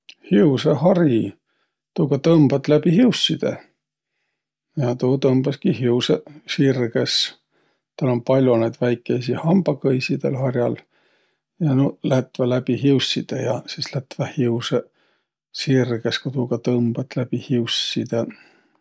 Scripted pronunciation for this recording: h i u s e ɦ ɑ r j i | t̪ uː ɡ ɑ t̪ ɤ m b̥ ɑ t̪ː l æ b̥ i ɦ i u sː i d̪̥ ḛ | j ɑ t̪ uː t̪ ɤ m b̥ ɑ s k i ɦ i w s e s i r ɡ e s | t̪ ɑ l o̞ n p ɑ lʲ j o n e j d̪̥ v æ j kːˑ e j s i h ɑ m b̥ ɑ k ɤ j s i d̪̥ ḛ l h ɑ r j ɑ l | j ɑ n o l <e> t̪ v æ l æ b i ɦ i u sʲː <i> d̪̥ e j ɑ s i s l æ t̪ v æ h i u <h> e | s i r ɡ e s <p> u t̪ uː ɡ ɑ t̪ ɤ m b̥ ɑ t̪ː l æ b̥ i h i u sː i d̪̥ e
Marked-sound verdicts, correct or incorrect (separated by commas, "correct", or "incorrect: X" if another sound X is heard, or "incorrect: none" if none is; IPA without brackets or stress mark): incorrect: æ, correct, incorrect: s, incorrect: k